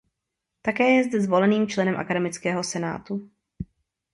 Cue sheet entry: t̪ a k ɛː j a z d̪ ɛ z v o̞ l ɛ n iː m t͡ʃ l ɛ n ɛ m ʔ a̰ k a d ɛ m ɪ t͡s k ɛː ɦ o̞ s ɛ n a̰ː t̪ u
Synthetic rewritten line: t̪ a k ɛː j ɛ z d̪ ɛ z v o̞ l ɛ n iː m t͡ʃ l ɛ n ɛ m ʔ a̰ k a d ɛ m ɪ t͡s k ɛː ɦ o̞ s ɛ n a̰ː t̪ u